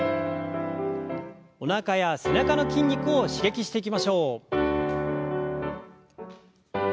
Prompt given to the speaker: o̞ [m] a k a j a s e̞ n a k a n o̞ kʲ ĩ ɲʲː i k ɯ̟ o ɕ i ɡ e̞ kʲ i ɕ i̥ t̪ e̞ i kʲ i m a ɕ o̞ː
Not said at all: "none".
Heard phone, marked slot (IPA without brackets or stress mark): n